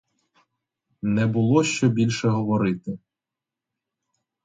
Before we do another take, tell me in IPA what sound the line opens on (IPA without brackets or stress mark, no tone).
n